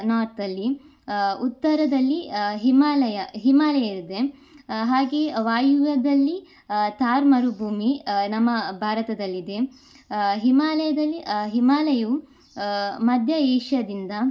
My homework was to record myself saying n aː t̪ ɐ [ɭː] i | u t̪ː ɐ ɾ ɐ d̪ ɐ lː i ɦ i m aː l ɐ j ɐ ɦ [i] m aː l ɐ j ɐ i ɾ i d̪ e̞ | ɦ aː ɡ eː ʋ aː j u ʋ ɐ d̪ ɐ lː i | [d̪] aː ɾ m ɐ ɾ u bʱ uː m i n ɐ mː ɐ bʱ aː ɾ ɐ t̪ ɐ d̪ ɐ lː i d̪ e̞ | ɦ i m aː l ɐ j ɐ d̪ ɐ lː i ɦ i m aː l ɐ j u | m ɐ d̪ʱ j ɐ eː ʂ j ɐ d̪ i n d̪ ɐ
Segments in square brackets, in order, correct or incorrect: incorrect: lː, correct, incorrect: t̪

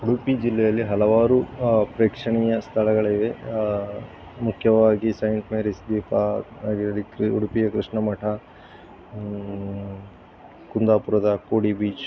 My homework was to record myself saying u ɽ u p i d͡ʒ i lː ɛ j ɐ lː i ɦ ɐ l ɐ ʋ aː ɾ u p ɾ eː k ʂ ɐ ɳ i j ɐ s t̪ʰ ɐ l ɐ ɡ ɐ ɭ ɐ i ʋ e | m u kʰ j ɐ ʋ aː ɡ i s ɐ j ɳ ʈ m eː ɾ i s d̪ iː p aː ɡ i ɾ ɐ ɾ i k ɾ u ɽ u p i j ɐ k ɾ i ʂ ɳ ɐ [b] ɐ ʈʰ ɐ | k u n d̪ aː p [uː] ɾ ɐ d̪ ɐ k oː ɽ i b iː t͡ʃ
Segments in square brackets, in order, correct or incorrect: incorrect: m, incorrect: u

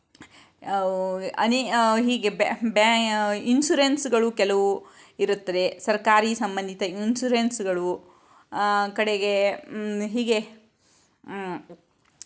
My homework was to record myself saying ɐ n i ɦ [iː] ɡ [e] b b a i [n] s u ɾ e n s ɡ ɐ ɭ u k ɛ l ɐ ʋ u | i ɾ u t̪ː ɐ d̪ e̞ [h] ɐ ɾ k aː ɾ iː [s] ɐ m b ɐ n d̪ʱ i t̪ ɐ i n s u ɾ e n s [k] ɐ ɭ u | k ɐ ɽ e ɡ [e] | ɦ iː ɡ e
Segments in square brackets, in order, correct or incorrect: correct, correct, correct, incorrect: s, correct, incorrect: ɡ, correct

